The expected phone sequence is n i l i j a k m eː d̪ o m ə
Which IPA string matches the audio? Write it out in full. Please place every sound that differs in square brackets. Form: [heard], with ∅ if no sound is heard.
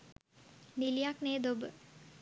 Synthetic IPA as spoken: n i l i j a k [n] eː d̪ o [b] ə